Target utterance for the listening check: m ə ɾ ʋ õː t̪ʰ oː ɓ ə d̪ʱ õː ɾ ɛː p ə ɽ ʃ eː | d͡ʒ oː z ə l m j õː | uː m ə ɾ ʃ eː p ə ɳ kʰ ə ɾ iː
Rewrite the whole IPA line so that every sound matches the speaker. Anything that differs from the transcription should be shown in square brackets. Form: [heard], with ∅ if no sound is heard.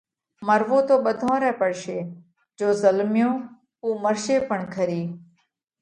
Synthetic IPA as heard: m ə ɾ ʋ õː [t̪] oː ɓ ə d̪ʱ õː ɾ ɛː p ə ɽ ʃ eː | d͡ʒ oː z ə l m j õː | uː m ə ɾ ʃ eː p ə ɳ kʰ ə ɾ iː